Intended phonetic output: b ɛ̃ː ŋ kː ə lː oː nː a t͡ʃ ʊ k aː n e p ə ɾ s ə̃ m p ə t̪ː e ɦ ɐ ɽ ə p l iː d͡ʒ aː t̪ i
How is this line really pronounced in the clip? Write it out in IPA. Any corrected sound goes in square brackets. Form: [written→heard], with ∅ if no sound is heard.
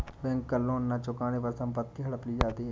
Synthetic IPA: b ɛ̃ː ŋ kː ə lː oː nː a t͡ʃ ʊ k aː n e p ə ɾ s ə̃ m p ə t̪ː [e→i] ɦ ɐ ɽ ə p l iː d͡ʒ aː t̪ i